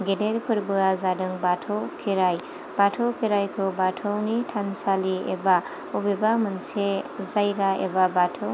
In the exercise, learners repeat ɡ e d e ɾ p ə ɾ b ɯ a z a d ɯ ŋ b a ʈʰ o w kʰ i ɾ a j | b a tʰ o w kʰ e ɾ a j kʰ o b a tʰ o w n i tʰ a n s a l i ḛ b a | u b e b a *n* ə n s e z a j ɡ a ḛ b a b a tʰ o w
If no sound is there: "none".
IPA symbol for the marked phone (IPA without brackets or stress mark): m